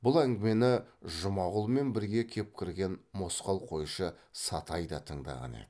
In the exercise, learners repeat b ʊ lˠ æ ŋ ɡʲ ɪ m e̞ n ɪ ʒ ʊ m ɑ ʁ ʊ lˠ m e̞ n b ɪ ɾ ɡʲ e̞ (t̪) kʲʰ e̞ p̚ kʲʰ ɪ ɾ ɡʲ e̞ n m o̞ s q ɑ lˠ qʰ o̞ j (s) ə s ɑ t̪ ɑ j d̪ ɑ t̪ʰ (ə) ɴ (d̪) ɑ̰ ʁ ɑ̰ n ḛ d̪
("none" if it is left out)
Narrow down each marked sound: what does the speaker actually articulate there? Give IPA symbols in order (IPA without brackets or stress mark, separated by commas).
none, ʃ, ə, d̪